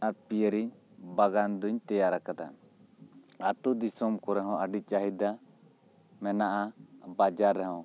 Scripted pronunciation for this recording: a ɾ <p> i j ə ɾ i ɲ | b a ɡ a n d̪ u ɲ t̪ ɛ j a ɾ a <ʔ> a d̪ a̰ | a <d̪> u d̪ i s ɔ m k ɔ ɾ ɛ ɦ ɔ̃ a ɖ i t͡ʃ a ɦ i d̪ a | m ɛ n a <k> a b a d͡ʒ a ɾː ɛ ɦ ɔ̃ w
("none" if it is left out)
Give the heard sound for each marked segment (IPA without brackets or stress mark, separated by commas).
p, k, t̪, ʔ